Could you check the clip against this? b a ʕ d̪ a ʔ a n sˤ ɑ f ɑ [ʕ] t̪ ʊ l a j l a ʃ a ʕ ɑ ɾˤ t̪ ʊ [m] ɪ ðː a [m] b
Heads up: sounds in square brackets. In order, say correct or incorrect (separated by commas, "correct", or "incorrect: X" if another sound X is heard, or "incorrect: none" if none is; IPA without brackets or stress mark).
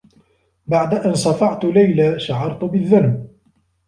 correct, incorrect: b, incorrect: n